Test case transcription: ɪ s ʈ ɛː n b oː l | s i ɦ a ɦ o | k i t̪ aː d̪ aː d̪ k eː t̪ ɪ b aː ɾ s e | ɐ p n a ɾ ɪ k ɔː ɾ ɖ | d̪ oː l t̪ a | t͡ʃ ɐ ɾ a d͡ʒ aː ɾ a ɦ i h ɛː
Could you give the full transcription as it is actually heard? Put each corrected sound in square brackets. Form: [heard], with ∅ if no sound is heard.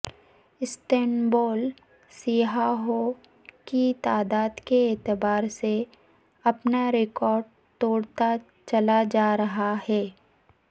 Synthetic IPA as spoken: ɪ s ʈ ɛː n b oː l | s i ɦ a ɦ o | k i t̪ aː d̪ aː d̪ k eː t̪ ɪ b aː ɾ s e | ɐ p n a ɾ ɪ k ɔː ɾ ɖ | [t̪] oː [ɽ] t̪ a | t͡ʃ ɐ [l] a d͡ʒ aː ɾ [ɐ] ɦ [a] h ɛː